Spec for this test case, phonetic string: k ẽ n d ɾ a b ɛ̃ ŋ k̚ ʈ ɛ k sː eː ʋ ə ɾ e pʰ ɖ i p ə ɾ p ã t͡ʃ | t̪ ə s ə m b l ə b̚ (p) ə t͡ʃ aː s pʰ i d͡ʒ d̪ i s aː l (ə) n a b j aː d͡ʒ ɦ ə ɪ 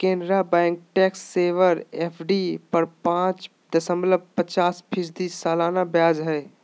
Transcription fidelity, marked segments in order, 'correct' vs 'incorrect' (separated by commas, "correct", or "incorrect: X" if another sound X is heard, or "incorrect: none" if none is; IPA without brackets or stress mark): correct, incorrect: a